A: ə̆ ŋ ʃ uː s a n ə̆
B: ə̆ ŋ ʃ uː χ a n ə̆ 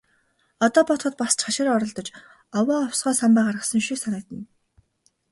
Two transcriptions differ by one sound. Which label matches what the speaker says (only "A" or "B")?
A